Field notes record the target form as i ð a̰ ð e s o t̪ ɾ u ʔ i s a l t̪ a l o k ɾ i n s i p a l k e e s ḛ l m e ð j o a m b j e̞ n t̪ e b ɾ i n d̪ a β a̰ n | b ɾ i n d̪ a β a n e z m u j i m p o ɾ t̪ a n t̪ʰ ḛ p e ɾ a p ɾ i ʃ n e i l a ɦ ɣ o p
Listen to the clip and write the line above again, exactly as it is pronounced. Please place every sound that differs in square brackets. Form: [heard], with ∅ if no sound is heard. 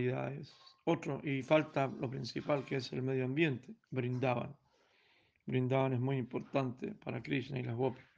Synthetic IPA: i ð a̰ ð e s o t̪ ɾ [o] ʔ i [f] a l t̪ a l o [p] ɾ i n s i p a l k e e s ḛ l m e ð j o a m b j e̞ n t̪ e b ɾ i n d̪ a β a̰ n | b ɾ i n d̪ a β a n e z m u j i m p o ɾ t̪ a n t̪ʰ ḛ p [a] ɾ a [k] ɾ i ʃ n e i l a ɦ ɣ o p